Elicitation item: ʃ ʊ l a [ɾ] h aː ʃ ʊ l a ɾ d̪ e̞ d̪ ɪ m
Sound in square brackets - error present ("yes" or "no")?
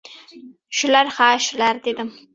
no